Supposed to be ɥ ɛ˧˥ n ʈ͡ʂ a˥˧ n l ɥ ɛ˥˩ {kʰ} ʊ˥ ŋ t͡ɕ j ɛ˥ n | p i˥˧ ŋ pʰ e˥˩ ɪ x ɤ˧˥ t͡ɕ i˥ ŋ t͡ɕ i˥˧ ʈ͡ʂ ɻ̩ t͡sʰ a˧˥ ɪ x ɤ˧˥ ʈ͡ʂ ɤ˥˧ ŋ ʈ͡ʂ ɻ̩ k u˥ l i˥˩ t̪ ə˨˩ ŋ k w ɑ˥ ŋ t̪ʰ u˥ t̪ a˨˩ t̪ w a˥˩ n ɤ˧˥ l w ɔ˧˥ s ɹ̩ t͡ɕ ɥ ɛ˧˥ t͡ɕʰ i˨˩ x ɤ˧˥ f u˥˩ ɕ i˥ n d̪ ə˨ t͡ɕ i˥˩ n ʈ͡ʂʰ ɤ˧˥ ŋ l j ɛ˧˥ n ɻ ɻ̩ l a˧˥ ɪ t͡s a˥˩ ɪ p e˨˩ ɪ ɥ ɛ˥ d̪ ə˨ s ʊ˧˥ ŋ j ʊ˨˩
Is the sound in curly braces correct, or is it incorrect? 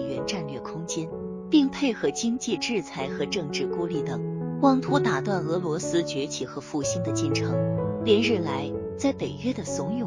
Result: correct